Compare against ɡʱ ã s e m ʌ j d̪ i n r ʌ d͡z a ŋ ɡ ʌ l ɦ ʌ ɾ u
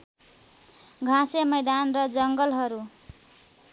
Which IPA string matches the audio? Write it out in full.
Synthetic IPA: ɡʱ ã s e m ʌ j d̪ a n r ʌ d͡z ʌ ŋ ɡ ʌ l ɦ ʌ ɾ u